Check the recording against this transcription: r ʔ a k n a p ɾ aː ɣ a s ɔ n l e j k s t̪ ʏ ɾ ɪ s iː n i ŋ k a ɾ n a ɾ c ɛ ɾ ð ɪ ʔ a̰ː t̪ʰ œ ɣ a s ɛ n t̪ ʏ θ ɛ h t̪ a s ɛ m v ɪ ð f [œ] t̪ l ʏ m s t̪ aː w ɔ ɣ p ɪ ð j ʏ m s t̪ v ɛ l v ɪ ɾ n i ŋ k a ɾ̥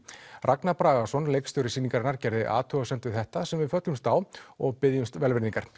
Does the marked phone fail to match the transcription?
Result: no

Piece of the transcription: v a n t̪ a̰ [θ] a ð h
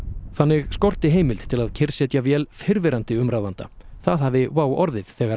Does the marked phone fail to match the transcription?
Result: no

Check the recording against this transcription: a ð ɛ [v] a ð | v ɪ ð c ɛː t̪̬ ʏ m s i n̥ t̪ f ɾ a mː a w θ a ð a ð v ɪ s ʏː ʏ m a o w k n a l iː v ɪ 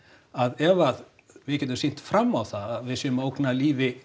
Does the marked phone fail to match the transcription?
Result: no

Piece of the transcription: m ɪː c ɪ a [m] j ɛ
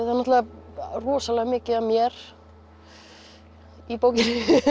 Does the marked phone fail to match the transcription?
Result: no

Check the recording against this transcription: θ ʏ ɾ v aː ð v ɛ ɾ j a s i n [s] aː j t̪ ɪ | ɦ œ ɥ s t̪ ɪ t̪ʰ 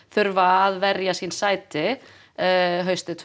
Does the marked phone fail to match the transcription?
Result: no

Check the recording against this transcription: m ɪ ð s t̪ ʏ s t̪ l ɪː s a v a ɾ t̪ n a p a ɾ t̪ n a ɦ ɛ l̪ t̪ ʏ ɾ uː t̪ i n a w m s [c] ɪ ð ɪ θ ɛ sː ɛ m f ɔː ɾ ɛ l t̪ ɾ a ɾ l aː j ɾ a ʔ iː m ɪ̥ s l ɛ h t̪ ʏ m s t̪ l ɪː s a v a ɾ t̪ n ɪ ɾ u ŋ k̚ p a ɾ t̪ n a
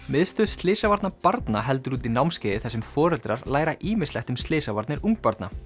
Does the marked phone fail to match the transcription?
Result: no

